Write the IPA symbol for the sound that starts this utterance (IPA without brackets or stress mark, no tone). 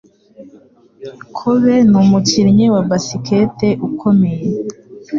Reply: kʰ